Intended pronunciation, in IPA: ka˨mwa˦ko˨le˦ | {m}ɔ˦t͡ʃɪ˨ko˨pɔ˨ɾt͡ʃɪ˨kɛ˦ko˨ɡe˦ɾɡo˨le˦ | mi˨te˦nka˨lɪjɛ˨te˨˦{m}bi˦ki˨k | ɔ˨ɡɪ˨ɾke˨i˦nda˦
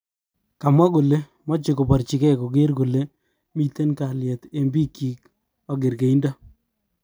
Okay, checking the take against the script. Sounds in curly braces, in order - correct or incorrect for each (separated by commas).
correct, correct